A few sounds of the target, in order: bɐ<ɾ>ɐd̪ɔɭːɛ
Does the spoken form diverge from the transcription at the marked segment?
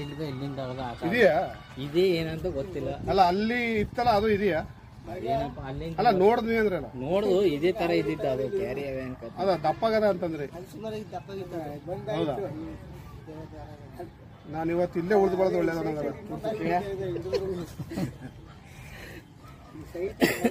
yes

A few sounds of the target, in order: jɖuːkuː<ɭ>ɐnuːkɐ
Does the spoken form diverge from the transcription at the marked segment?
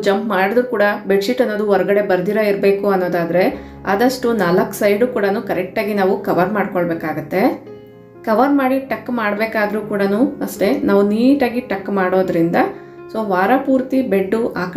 yes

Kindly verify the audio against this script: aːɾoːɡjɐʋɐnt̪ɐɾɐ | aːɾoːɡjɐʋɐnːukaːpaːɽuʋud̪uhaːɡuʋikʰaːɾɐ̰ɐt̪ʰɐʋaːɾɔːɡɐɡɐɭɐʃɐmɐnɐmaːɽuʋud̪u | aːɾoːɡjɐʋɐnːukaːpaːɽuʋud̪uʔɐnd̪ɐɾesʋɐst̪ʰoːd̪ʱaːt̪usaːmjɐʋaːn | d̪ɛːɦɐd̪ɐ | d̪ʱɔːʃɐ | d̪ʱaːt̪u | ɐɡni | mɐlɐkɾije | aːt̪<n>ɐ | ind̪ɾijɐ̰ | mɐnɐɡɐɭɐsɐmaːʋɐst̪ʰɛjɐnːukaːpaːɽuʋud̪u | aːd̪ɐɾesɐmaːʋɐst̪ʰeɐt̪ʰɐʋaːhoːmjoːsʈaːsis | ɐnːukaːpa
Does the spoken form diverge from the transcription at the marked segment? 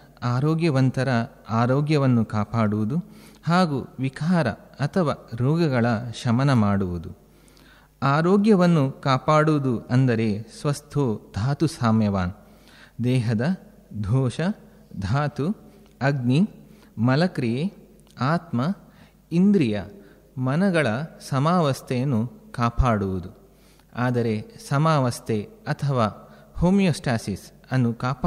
yes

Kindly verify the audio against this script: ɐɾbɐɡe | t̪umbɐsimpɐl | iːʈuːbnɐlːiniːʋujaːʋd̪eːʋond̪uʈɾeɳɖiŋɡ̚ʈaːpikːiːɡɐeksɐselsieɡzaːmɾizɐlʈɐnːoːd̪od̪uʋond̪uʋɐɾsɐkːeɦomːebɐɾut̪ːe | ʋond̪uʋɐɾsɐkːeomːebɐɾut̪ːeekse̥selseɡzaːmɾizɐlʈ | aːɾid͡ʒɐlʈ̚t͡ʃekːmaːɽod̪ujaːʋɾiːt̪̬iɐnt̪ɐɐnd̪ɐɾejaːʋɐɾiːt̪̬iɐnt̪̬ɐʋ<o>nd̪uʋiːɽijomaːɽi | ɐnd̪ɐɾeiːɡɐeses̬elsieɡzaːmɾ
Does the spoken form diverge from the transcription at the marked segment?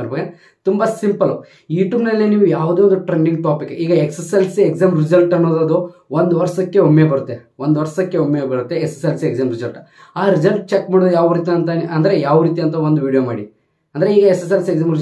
no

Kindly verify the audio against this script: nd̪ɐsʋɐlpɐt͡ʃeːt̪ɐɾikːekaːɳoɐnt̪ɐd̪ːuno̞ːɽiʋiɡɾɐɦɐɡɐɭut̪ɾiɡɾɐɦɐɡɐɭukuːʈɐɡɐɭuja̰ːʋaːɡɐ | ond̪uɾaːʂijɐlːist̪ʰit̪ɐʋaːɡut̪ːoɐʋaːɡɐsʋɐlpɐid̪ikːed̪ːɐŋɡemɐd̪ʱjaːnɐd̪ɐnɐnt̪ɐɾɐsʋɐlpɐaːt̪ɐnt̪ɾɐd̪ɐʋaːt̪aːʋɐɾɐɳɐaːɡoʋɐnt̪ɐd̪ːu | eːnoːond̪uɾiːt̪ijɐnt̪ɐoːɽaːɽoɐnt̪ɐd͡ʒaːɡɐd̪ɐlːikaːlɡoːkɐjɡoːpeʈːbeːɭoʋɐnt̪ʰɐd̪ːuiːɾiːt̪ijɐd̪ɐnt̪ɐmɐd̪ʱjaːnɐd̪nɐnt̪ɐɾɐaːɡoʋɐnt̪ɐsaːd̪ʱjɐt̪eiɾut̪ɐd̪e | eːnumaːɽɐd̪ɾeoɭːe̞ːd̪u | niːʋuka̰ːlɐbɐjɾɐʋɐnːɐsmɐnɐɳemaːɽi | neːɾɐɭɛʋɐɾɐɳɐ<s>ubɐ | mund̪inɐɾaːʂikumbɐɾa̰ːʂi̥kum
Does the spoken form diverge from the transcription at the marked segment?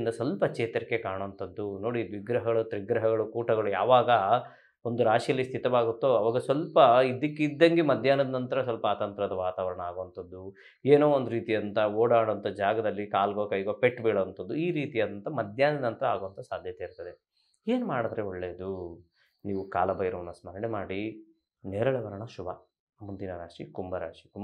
yes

